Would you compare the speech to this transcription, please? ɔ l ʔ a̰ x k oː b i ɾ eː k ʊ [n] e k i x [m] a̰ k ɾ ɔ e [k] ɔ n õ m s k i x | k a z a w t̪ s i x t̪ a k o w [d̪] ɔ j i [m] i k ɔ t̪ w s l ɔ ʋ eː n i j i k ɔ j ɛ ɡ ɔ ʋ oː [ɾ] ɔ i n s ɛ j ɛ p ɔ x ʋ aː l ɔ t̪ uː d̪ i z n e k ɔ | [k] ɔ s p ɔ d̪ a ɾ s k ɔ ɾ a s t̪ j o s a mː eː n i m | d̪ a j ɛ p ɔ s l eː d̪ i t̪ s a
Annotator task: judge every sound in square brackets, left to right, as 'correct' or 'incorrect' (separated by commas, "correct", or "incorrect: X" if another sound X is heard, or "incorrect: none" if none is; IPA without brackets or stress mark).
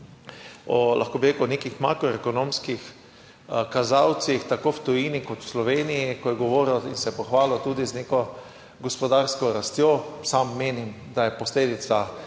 correct, correct, correct, incorrect: t̪, incorrect: n, correct, incorrect: ɡ